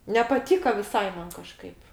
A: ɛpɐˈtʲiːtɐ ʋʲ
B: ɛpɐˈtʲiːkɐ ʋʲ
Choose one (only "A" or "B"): B